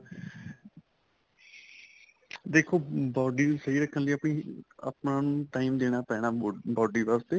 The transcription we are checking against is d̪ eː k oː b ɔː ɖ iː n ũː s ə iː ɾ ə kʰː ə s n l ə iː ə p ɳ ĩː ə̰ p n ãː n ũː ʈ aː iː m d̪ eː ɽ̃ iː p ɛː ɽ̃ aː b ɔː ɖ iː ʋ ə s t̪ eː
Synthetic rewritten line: d̪ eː kʰ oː b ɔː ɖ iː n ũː s ə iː ɾ ə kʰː ə n l ə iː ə p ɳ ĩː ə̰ p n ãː n ũː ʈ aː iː m d̪ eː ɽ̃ aː p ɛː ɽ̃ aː b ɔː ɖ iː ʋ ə s t̪ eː